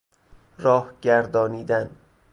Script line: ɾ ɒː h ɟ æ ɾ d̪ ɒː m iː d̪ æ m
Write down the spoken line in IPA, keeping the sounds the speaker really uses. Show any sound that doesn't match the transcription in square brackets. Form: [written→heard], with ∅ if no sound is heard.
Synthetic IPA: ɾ ɒː h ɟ æ ɾ d̪ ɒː [m→n] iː d̪ æ [m→n]